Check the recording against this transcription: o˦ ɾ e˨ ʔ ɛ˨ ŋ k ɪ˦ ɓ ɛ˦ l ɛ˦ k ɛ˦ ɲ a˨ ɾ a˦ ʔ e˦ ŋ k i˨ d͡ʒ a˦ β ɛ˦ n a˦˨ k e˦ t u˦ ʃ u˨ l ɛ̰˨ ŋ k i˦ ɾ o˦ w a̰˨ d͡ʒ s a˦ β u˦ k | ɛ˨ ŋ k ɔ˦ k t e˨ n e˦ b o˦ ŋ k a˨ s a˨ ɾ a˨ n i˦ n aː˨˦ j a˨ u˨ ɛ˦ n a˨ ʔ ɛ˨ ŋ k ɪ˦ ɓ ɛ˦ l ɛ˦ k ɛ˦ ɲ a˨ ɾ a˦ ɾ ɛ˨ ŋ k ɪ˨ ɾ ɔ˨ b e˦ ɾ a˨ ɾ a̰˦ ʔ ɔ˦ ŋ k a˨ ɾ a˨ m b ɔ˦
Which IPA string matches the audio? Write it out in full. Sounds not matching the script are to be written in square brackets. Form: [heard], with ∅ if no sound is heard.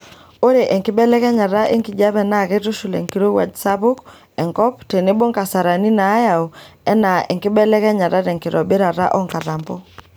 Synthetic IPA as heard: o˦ ɾ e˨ ʔ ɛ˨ ŋ k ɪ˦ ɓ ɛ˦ l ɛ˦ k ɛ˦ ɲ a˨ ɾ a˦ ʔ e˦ ŋ k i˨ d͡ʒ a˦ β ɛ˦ n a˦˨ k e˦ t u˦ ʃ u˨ l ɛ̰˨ ŋ k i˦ ɾ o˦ w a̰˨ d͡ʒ s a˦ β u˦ k | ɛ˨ ŋ k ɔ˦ [p] t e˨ n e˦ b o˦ ŋ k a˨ s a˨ ɾ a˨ n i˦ n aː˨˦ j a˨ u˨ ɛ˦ n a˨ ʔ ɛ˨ ŋ k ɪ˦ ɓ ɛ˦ l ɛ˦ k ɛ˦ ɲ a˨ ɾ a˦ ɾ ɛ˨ ŋ k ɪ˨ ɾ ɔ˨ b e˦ ɾ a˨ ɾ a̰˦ ʔ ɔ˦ ŋ k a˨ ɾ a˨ m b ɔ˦